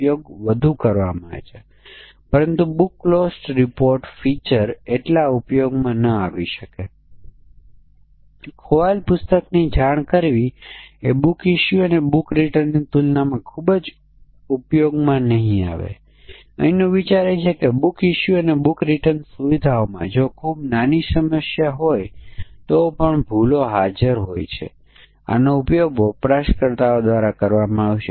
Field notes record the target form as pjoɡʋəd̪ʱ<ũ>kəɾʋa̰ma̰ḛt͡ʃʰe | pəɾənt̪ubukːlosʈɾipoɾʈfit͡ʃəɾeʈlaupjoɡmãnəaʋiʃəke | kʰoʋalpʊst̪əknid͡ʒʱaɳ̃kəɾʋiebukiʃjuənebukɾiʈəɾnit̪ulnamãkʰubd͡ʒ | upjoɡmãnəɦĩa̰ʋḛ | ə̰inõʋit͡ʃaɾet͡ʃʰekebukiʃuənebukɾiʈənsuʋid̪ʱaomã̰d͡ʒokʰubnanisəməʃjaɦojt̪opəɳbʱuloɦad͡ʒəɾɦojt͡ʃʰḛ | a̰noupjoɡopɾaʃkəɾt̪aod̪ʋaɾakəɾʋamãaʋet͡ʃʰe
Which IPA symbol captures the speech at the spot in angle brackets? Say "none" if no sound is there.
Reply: u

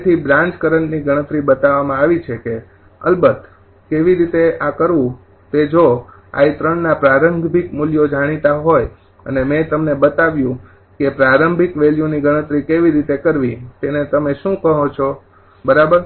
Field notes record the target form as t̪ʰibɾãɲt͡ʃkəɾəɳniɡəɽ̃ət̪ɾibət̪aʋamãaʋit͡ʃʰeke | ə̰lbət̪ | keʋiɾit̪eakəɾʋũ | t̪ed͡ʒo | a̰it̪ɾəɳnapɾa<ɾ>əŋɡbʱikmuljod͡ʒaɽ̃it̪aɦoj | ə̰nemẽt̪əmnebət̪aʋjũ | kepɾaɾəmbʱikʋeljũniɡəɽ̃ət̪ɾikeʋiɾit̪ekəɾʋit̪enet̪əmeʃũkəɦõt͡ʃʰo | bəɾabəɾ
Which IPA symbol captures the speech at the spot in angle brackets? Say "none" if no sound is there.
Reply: ɾ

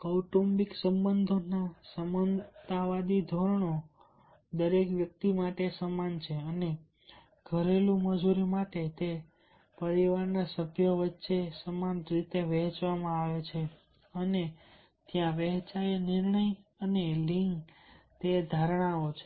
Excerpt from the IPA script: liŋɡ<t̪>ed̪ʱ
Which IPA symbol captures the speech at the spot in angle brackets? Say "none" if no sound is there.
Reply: t̪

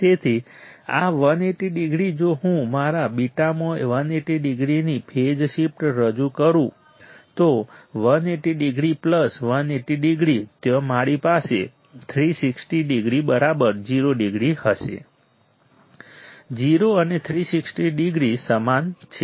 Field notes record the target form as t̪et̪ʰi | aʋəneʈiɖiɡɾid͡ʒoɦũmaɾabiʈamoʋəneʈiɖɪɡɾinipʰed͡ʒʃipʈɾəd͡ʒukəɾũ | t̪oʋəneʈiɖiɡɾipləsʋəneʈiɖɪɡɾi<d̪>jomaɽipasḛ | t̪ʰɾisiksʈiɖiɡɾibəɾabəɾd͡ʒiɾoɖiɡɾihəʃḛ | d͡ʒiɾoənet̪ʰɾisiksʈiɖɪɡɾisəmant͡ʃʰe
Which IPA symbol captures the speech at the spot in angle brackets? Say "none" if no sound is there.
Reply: t̪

